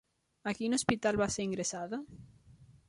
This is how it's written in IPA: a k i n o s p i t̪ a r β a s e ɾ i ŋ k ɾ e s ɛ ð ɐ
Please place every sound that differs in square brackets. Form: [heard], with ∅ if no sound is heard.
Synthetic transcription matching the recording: a k i n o s p i t̪ a [l] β a s e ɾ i ŋ [ɡ] ɾ e s [a] ð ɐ